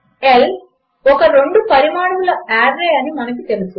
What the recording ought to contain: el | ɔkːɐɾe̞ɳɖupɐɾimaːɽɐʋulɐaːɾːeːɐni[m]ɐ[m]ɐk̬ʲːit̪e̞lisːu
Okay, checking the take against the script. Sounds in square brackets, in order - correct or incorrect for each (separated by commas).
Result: correct, incorrect